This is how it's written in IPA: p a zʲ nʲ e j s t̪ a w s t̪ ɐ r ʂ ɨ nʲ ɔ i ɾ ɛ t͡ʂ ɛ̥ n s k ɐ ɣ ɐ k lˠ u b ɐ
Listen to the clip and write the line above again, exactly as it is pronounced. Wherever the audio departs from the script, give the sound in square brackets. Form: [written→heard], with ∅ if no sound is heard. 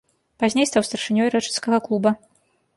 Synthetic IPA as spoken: p a zʲ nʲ e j s t̪ a w s t̪ ɐ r ʂ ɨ nʲ ɔ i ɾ ɛ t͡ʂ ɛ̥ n s k ɐ ɣ ɐ k lˠ u b ɐ